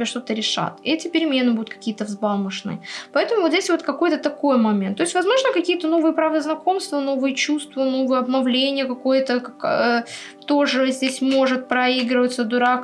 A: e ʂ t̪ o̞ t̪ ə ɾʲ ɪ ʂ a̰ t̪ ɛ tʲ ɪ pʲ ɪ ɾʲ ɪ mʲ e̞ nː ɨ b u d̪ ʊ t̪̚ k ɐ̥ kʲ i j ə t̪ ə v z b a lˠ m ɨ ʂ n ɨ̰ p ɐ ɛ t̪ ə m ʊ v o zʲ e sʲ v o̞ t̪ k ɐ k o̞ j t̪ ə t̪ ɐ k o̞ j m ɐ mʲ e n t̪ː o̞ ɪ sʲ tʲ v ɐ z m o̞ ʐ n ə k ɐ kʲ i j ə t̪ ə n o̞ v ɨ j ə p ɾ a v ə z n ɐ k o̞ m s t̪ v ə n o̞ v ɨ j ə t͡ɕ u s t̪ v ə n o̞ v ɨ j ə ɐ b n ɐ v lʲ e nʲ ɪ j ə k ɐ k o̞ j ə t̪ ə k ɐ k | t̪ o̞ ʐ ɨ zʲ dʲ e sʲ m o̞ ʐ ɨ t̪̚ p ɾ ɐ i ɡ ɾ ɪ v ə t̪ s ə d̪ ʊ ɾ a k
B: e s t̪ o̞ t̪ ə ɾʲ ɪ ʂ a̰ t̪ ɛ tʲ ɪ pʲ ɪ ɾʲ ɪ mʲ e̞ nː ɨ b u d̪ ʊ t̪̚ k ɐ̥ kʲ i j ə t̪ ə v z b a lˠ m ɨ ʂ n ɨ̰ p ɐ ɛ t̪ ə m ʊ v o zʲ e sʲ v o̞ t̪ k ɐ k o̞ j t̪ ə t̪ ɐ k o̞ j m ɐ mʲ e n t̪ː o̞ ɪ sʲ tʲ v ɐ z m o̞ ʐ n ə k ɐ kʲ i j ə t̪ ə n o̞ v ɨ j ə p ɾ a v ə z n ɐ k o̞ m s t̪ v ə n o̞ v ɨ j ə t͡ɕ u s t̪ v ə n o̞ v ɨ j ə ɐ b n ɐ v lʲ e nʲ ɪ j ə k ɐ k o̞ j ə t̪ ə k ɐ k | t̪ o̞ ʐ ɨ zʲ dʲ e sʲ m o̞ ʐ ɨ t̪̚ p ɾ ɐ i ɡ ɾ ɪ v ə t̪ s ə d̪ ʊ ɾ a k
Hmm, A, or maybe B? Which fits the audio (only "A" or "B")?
A